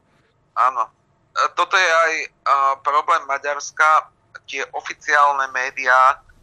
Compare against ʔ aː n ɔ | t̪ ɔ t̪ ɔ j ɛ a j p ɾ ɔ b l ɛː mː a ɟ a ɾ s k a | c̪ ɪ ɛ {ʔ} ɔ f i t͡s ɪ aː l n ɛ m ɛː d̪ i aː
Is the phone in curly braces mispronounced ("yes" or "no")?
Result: no